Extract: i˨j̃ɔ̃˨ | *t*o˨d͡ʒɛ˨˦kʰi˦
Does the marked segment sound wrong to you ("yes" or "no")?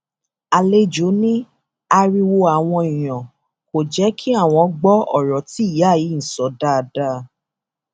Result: yes